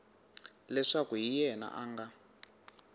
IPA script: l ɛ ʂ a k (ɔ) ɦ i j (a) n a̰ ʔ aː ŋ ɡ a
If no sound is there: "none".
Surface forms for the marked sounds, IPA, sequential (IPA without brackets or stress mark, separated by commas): u, ɛ